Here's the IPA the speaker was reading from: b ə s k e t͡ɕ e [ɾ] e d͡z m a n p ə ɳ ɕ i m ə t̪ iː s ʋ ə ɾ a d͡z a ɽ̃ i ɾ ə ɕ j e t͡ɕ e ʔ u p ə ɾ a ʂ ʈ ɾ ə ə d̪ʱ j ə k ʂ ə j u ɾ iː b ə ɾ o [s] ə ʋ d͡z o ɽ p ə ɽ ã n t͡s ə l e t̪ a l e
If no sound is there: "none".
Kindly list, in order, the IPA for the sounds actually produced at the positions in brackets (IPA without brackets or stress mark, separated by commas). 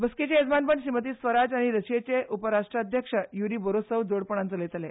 none, s